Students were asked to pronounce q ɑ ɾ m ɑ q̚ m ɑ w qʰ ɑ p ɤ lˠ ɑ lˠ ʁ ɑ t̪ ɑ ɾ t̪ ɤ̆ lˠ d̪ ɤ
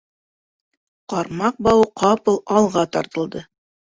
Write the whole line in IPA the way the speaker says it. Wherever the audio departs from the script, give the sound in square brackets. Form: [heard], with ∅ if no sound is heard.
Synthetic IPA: q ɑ ɾ m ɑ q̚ [b] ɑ w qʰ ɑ p ɤ lˠ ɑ lˠ ʁ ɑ t̪ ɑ ɾ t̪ ɤ̆ lˠ d̪ ɤ